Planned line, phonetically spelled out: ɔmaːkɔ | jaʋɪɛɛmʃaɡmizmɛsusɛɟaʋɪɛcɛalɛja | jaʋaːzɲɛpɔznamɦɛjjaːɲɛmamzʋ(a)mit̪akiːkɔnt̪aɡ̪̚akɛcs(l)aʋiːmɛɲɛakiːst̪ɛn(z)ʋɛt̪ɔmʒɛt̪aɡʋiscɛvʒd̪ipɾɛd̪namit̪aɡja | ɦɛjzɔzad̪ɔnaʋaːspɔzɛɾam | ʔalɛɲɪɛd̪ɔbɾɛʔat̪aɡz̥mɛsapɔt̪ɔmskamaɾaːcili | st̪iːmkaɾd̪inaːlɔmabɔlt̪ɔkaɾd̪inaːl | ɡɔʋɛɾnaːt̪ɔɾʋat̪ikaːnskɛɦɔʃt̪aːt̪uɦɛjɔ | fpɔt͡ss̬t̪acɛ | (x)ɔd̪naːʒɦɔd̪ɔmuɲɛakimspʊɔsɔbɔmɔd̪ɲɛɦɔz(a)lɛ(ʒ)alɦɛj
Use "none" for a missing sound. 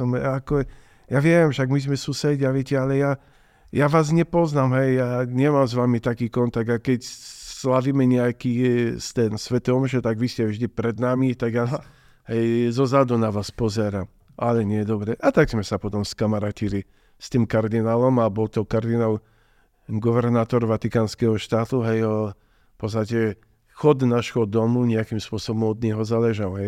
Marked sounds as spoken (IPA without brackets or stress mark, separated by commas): a, l, s, x, a, ʒ